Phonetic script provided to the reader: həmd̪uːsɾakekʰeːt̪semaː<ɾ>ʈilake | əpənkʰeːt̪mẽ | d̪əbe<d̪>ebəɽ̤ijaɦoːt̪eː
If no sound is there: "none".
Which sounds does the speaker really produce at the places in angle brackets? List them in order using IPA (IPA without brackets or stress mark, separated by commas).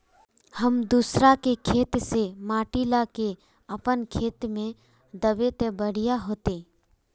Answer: none, t̪